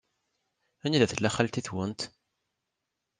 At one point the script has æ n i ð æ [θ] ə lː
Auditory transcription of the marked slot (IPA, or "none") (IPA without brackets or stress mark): θ